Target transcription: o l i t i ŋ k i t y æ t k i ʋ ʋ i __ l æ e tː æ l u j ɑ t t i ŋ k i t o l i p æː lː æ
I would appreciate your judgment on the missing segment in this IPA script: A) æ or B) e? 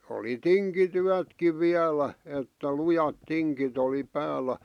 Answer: A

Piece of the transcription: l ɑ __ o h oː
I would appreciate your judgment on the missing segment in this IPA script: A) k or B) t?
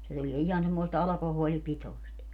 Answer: A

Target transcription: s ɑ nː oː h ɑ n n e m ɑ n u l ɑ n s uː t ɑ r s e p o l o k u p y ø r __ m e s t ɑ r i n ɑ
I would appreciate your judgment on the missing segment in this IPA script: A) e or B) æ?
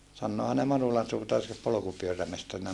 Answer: B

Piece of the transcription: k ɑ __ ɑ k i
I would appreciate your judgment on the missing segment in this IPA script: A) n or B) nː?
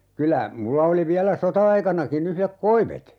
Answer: A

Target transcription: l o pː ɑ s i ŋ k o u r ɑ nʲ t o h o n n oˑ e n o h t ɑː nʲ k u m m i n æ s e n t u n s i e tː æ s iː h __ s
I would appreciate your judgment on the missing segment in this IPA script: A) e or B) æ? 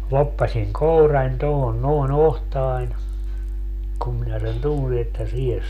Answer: A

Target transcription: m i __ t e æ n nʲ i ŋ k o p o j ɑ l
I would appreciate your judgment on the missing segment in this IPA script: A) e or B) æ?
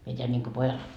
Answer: A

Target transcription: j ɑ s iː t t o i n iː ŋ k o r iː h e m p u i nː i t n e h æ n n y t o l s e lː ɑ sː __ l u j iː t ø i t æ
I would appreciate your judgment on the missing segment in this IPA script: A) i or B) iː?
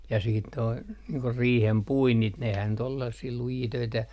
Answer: B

